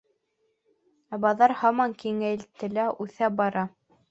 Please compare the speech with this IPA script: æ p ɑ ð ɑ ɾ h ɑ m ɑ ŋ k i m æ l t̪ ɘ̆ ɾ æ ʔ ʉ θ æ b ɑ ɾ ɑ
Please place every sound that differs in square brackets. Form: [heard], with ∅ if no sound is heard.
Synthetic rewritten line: æ [b] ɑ ð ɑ ɾ h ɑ m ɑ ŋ k i [ŋ] æ l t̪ ɘ̆ [l] æ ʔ ʉ θ æ b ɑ ɾ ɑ